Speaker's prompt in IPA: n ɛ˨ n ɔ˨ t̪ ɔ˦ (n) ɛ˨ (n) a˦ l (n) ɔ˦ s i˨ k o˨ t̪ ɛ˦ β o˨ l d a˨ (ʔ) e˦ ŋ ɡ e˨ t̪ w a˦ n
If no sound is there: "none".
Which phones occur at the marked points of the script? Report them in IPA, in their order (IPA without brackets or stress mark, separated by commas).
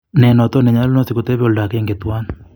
n, ɲ, n, k